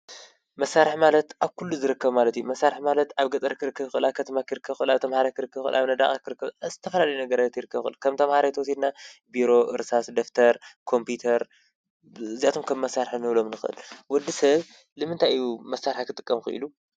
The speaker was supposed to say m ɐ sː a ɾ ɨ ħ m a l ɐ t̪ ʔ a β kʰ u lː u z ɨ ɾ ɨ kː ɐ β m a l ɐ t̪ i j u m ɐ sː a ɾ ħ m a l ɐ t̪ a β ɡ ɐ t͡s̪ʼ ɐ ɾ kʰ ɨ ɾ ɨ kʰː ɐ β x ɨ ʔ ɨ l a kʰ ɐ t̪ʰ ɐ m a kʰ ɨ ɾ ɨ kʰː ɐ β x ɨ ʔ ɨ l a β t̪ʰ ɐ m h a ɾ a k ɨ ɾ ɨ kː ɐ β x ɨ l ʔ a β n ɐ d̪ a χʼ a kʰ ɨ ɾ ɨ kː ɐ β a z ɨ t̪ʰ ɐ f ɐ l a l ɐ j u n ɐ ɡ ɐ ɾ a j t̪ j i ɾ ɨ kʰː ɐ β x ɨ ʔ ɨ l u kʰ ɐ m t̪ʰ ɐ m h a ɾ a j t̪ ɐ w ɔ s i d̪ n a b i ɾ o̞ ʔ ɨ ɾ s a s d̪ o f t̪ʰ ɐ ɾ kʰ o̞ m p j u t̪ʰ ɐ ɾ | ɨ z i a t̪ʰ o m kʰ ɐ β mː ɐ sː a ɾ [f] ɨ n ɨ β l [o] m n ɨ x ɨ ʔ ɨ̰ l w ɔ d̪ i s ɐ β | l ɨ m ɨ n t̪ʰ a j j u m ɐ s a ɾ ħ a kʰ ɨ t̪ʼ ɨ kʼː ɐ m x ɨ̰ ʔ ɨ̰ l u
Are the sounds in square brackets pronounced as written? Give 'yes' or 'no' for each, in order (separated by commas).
no, yes